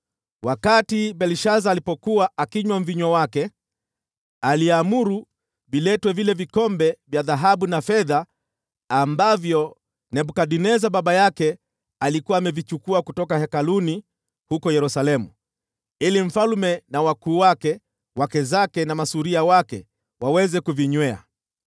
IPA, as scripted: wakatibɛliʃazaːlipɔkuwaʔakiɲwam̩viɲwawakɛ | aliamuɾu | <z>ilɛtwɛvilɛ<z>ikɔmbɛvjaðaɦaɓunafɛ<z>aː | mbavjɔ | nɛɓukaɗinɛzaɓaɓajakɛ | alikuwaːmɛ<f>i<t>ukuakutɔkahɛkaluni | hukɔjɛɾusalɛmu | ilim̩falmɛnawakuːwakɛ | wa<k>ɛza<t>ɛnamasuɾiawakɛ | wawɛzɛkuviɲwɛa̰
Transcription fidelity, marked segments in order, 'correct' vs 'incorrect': incorrect: v, incorrect: v, incorrect: ð, incorrect: v, incorrect: t͡ʃ, correct, incorrect: k

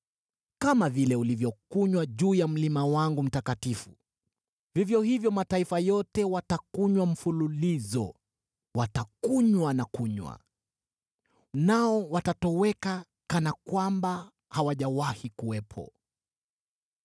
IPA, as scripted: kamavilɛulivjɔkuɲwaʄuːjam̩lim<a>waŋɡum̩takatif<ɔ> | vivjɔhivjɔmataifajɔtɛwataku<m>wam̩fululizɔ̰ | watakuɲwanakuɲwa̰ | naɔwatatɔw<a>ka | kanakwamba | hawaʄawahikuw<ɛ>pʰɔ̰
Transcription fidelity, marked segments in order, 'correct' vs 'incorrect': correct, incorrect: u, incorrect: ɲ, incorrect: ɛ, correct

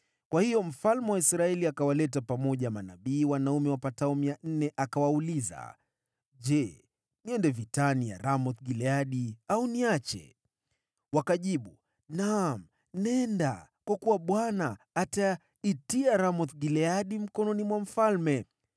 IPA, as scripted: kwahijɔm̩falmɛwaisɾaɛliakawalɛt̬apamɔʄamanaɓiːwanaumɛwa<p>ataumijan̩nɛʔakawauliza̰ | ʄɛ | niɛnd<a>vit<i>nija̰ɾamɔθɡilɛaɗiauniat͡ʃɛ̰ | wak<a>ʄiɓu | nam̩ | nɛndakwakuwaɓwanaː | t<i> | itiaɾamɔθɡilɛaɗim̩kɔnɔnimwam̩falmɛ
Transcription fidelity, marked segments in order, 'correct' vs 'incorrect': correct, incorrect: ɛ, incorrect: a, correct, incorrect: a

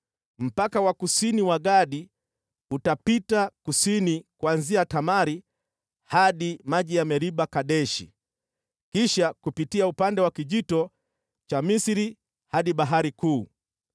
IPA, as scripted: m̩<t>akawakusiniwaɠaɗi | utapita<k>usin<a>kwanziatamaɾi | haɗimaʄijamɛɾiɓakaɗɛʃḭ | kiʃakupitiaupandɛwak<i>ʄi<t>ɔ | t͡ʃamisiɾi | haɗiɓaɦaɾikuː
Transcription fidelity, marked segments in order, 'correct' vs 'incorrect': incorrect: p, correct, incorrect: i, correct, correct

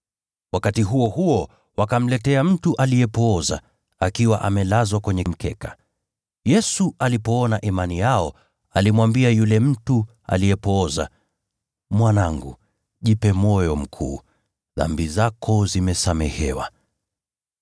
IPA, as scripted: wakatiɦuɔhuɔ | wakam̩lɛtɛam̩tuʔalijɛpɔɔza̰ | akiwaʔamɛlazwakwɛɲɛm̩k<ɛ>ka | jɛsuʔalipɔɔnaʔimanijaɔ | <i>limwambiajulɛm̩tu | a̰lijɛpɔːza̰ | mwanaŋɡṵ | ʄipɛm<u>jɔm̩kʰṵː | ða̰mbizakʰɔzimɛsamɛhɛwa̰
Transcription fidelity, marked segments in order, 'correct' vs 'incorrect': correct, incorrect: a, incorrect: ɔ

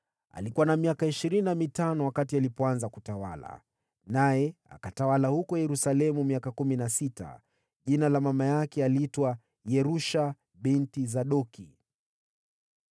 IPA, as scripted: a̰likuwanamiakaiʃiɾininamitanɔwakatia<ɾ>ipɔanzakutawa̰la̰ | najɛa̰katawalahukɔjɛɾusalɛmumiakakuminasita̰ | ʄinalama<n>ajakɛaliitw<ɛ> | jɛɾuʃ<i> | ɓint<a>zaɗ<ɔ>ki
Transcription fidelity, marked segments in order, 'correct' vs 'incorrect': incorrect: l, incorrect: m, incorrect: a, incorrect: a, incorrect: i, correct

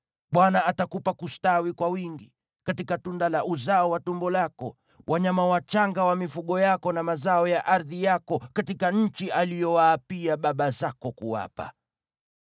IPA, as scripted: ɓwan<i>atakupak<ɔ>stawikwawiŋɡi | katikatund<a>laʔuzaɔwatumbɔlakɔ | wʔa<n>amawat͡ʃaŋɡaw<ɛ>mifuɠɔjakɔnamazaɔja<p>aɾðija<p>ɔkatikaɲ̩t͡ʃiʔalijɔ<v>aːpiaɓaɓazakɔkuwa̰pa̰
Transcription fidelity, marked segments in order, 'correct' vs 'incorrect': incorrect: a, incorrect: u, correct, incorrect: ɲ, incorrect: a, incorrect: ʔ, incorrect: k, incorrect: w

